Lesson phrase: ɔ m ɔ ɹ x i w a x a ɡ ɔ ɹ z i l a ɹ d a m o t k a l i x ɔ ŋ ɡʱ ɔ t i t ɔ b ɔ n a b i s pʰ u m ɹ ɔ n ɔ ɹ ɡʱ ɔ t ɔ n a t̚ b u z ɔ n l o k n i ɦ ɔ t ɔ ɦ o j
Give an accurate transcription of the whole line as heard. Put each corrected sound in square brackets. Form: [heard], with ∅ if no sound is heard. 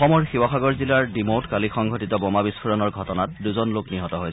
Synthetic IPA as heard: ɔ m ɔ ɹ x i w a x a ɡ ɔ ɹ z i l a ɹ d [i] m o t k a l i x ɔ ŋ ɡʱ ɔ t i t ɔ b ɔ [m] a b i s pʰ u [∅] ɹ ɔ n ɔ ɹ ɡʱ ɔ t ɔ n a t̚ [d] u z ɔ n l o k n i ɦ ɔ t ɔ ɦ o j

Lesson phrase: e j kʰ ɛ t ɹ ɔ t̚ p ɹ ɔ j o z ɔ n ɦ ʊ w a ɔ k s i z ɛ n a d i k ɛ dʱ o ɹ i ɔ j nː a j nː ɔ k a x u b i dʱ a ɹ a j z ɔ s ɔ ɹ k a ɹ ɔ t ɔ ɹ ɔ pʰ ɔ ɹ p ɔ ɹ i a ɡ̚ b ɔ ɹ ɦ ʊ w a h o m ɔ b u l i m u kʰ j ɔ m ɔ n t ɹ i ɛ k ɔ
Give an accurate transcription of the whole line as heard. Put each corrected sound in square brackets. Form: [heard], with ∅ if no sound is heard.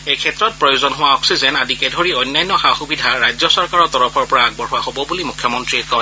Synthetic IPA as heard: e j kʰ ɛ t ɹ ɔ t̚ p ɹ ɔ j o z ɔ n ɦ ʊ w a ɔ k s i z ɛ n a d i k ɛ dʱ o ɹ i ɔ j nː a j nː ɔ [x] a x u b i dʱ a ɹ a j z ɔ s ɔ ɹ k a ɹ ɔ t ɔ ɹ ɔ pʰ ɔ ɹ p ɔ ɹ [a] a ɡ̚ b ɔ ɹ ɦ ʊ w a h o [b] ɔ b u l i m u kʰ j ɔ m ɔ n t ɹ i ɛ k ɔ

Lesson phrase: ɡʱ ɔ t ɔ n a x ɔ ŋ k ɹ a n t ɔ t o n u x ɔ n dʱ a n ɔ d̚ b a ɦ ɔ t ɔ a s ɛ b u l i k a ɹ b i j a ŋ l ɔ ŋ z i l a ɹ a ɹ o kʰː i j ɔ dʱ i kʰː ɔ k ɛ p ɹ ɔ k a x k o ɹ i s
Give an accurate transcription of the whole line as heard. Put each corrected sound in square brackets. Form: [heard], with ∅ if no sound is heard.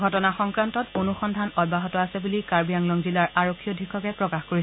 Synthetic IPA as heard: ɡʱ ɔ t ɔ n a x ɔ ŋ k ɹ a n t ɔ t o n u x ɔ n dʱ a n ɔ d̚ b a ɦ ɔ t ɔ a s ɛ b u l i k a ɹ b i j a ŋ l ɔ ŋ z i l a ɹ a ɹ o kʰː i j ɔ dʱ i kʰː ɔ k ɛ p ɹ ɔ k a x k o ɹ i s

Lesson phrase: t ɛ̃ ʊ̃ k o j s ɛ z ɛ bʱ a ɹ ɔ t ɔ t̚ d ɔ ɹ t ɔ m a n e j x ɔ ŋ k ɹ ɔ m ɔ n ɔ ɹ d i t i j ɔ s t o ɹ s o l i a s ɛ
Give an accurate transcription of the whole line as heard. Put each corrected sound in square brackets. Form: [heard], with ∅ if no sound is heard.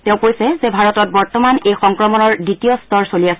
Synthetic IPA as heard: t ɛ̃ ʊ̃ k o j s ɛ z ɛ bʱ a ɹ ɔ t ɔ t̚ [b] ɔ ɹ t ɔ m a n e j x ɔ ŋ k ɹ ɔ m ɔ n ɔ ɹ d i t i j ɔ s t [ɔ] ɹ s o l i a s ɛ

